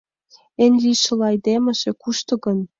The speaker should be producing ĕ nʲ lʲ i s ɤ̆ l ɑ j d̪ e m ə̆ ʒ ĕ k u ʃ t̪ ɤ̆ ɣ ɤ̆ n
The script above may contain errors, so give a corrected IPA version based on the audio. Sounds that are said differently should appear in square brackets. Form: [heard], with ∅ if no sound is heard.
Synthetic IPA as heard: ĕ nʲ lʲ i [ʃ] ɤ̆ l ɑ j d̪ e m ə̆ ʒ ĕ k u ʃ t̪ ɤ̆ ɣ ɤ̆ n